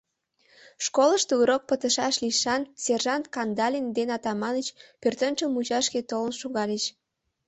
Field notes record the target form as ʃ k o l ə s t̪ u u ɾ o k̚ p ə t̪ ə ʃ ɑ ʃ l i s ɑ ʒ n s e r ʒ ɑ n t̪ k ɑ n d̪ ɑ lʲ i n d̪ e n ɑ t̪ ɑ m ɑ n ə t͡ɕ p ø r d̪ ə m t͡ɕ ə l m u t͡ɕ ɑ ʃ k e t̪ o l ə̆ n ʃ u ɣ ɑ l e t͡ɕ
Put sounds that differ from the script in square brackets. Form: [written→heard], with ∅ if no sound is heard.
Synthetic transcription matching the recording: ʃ k o l ə [s→ʃ] t̪ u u ɾ o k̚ p ə t̪ ə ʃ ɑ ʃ l i [s→ʃ] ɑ [ʒ→∅] n s e r ʒ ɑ n t̪ k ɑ n d̪ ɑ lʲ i n d̪ e n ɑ t̪ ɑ m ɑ n ə t͡ɕ p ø r [d̪→t̪] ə [m→n] t͡ɕ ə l m u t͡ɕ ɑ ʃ k e t̪ o l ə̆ n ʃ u ɣ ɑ l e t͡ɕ